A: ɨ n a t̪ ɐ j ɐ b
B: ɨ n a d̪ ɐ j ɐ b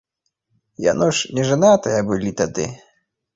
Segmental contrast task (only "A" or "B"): A